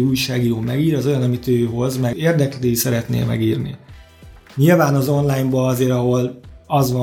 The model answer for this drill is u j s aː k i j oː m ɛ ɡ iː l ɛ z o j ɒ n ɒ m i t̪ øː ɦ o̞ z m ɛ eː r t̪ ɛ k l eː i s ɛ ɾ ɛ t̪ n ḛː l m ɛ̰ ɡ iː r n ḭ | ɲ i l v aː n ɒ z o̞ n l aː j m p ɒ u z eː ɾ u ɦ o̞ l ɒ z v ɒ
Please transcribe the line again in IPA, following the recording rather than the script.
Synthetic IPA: u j ʃ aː ɡ i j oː m ɛ ɡ iː ɾ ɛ z o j ɒ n ɒ m i t̪ øː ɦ o̞ z m ɛ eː r d̪ ɛ k l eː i s ɛ ɾ ɛ t̪ n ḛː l m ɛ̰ ɡ iː r n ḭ | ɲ i l v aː n ɒ z o̞ n l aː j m b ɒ ɒ z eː ɾ ɒ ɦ o̞ l ɒ z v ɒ